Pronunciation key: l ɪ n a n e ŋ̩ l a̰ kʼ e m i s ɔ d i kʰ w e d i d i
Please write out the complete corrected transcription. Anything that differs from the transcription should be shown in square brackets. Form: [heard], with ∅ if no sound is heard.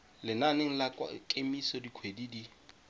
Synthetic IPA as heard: l ɪ n a n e ŋ̩ l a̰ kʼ e m i s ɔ d i kʰ w e d i d i